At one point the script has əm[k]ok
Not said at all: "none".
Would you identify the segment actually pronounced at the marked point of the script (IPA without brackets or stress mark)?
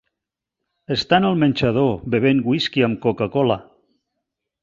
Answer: k